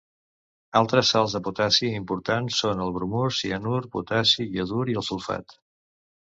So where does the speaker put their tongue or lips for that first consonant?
tongue tip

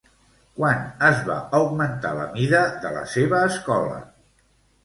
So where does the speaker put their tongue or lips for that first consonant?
velum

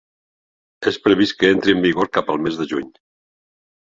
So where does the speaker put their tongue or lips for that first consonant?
tongue tip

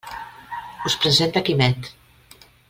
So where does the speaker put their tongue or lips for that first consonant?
tongue tip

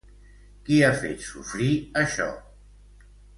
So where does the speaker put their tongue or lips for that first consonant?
velum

